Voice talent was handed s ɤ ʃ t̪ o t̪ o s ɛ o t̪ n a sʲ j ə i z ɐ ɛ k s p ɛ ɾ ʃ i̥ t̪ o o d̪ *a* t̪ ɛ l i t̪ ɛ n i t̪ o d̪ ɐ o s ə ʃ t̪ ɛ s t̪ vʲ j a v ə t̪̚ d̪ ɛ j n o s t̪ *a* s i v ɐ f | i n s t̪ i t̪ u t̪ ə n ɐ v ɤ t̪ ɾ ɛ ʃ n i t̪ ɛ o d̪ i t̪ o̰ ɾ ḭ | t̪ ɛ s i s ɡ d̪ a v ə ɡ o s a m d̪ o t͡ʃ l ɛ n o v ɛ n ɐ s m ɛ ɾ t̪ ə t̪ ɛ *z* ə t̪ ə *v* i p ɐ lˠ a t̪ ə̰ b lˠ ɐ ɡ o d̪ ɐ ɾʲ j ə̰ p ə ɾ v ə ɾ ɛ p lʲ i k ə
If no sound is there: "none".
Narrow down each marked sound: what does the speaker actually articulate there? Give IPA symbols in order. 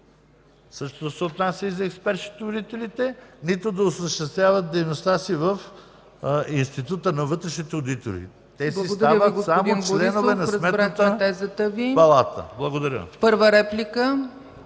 i, a, z, v

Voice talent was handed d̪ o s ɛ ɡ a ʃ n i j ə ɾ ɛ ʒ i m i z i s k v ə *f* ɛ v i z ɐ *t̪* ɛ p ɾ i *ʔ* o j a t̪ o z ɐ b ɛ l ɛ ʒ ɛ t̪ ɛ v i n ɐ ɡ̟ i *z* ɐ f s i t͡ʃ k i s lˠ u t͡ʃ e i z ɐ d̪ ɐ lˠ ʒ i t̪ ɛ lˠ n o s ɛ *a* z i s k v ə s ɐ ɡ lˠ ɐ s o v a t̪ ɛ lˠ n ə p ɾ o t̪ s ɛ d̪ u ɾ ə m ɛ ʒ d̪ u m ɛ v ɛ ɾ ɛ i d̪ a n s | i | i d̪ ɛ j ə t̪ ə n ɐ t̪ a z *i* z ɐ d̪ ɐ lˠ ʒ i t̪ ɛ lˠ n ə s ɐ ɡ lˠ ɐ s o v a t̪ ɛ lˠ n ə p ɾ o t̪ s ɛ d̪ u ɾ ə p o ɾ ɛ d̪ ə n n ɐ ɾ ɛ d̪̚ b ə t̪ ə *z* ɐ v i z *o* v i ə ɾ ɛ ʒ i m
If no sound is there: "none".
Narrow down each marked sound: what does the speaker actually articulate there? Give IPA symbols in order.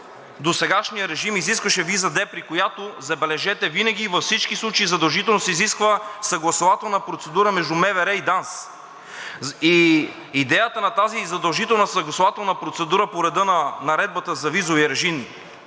ʃ, d̪, k, v, i, i, z, o

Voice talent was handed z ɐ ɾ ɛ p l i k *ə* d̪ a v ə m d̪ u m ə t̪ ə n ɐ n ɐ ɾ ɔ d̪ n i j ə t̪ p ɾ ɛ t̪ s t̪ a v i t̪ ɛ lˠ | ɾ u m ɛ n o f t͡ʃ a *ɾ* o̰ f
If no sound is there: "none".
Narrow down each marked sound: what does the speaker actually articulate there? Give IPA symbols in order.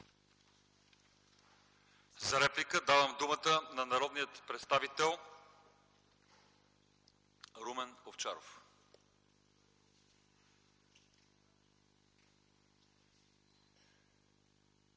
ə, ɾ

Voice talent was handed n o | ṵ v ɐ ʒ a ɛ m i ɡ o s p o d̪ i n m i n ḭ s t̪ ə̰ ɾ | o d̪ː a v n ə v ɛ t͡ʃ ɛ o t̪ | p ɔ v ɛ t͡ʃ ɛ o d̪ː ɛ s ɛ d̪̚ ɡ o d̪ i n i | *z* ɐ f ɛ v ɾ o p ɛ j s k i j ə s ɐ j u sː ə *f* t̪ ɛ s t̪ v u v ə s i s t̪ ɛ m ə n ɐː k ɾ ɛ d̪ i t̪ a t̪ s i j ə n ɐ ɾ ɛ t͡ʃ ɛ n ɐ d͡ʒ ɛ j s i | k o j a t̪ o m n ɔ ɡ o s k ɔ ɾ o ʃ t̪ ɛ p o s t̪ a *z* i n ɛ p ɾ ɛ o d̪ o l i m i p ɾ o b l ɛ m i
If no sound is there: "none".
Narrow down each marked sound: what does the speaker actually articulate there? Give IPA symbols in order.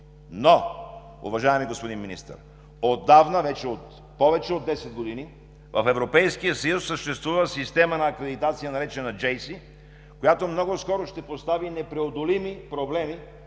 v, ʃ, v

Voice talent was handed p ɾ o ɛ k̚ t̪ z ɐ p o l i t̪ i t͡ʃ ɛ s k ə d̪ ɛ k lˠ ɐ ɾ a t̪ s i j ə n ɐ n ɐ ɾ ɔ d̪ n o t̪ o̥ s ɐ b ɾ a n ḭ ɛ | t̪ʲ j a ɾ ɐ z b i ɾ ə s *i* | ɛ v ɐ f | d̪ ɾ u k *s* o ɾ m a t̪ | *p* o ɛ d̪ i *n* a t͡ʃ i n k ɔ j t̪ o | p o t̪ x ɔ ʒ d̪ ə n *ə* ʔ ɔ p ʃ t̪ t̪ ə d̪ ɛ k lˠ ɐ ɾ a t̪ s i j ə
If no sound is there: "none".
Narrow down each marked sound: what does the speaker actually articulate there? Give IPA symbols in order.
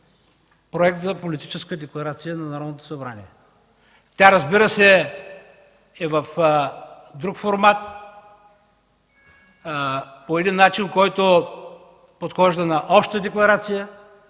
ɛ, f, p, nː, ɐ

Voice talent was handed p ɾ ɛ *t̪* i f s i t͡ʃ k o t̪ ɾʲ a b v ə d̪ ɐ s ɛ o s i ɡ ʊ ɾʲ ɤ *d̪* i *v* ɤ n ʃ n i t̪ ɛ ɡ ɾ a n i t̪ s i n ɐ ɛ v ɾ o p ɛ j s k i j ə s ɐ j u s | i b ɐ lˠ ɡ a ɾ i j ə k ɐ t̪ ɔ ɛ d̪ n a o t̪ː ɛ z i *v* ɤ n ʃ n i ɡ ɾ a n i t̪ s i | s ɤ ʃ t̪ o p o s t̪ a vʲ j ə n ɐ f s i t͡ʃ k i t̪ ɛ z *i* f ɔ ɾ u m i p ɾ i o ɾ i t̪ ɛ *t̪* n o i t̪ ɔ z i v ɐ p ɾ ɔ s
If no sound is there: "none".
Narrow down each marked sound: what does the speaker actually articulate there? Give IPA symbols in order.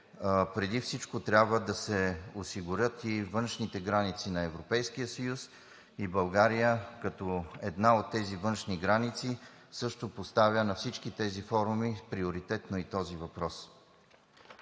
d̪, t̪, v, v, i, t̪

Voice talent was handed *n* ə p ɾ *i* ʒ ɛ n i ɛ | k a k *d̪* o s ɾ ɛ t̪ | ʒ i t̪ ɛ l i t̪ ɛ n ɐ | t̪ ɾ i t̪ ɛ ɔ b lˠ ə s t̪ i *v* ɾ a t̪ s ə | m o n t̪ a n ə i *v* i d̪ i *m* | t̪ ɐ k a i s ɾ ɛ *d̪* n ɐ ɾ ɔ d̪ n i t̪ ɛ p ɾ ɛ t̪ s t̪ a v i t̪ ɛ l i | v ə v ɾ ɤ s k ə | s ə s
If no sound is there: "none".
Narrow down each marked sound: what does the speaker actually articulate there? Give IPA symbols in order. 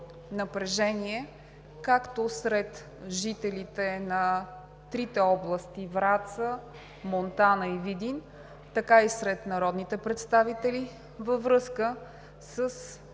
n, ɛ, t̪, v, v, n, t̪

